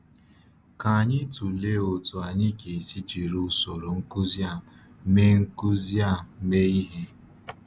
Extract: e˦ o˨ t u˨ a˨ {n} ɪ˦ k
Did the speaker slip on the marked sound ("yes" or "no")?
yes